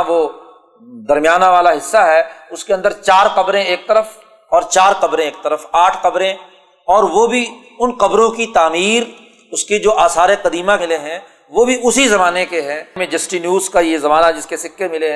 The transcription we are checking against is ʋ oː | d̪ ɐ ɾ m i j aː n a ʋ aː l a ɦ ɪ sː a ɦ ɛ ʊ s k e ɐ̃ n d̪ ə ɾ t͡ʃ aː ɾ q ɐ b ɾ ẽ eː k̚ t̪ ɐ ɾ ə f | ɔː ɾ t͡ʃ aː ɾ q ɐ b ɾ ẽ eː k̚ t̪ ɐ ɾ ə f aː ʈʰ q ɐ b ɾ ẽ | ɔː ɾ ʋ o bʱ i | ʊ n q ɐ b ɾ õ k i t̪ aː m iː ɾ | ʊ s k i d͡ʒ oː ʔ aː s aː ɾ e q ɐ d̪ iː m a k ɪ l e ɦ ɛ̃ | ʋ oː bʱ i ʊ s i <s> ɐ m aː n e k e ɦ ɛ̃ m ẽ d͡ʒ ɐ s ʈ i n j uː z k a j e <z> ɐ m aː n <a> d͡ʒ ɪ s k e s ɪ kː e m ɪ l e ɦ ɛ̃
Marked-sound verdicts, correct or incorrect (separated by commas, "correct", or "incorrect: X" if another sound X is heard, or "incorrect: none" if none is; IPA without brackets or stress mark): incorrect: z, correct, correct